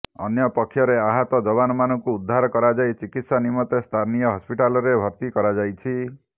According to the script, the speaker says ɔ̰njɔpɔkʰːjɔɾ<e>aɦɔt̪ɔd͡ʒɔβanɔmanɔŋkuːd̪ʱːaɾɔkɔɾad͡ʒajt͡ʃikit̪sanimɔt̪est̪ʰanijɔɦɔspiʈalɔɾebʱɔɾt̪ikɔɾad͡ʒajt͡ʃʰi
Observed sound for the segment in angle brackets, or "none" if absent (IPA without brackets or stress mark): e